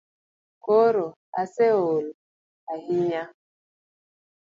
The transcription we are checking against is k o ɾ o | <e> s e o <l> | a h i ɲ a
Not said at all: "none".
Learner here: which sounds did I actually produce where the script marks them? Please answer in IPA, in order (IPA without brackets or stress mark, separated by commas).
a, l